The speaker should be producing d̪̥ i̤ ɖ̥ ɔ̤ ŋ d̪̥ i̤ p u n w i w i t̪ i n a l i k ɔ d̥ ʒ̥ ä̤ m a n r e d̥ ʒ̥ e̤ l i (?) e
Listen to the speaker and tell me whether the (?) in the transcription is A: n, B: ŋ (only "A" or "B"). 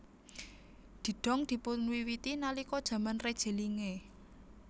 B